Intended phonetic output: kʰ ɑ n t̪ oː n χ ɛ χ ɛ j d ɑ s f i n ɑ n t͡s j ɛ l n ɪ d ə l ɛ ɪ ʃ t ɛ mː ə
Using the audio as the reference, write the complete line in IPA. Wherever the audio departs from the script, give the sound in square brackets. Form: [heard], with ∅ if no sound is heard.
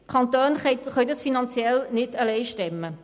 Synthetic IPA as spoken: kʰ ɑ n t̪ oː n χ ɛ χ [œ] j d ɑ s f i n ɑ n t͡s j ɛ l n ɪ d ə l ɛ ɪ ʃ t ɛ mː ə